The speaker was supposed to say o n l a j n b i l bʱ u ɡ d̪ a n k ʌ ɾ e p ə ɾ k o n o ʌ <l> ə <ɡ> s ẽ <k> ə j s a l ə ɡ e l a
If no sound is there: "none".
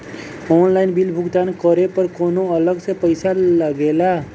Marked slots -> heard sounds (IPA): l, ɡ, p

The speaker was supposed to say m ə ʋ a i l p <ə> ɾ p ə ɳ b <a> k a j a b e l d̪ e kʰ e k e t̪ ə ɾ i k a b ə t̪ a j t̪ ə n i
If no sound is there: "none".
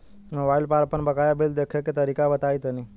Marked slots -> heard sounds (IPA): a, ə

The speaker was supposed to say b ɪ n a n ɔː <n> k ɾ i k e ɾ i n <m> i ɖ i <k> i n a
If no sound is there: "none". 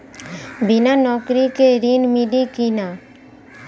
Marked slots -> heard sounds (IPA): none, m, k

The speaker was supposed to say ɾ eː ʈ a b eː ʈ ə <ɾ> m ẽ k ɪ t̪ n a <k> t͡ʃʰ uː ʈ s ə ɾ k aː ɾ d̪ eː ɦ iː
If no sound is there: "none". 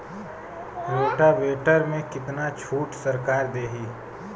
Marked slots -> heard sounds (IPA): ɾ, none

